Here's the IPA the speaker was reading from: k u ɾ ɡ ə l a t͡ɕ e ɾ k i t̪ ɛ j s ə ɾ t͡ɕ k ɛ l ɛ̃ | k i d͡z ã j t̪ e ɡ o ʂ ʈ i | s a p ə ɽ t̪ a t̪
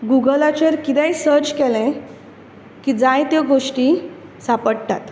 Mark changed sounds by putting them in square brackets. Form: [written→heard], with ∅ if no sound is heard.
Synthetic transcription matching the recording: [k→ɡ] u [ɾ→∅] ɡ ə l a t͡ɕ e ɾ k i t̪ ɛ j s ə ɾ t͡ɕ k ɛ l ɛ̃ | k i d͡z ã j t̪ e ɡ o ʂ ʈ i | s a p ə ɽ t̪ a t̪

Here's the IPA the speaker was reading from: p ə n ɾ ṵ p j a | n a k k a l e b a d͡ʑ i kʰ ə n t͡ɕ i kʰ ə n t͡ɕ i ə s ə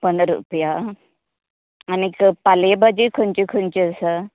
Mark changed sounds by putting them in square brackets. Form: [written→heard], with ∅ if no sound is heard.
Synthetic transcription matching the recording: p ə n ɾ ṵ p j a | n [a→i] k [k→p] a l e b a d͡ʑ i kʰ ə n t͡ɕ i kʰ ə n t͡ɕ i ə s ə

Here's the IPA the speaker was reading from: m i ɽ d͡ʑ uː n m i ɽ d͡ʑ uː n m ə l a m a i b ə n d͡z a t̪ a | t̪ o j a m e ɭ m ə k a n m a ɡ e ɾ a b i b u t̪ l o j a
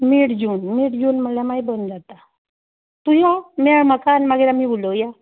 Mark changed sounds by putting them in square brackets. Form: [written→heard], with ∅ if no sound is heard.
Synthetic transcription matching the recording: m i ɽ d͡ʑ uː n m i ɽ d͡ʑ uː n m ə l a m a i b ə n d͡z a t̪ a | t̪ [o→u] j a m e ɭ m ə k a n m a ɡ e ɾ a [b→m] i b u [t̪→∅] l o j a

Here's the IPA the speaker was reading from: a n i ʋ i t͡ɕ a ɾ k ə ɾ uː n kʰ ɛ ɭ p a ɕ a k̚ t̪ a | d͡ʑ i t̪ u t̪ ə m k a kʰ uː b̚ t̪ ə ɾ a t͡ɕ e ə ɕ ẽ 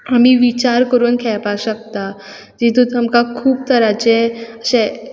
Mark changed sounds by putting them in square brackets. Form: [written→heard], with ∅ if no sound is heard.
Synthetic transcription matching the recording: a [n→m] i ʋ i t͡ɕ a ɾ k ə ɾ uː n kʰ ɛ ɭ p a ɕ [a→ə] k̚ t̪ a | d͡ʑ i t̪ u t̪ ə m k a kʰ uː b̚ t̪ ə ɾ a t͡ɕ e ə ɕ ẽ

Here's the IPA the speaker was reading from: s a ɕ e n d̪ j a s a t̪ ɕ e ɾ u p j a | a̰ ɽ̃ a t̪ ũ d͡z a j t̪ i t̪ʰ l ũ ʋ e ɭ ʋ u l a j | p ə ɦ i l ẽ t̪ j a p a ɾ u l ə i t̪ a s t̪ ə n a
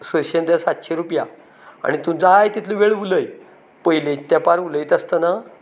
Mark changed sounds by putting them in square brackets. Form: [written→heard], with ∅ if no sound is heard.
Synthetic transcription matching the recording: s [a→ə] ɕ e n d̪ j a s a t̪ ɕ e ɾ u p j a | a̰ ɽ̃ [a→i] t̪ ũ d͡z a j t̪ i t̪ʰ l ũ ʋ e ɭ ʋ u l [a→ə] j | p ə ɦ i l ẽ t̪ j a p a ɾ u l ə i t̪ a s t̪ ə n a

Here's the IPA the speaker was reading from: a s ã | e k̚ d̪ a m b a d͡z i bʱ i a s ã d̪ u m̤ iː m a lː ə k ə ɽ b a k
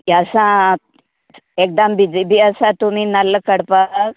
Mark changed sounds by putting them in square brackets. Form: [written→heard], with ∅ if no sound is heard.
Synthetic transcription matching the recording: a s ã | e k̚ d̪ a m b [a→i] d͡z i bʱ i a s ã [d̪→t̪] u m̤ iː [m→n] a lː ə k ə ɽ [b→p] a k

